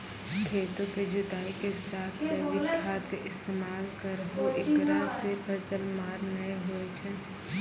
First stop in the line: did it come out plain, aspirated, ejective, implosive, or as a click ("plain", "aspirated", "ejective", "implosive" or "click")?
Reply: aspirated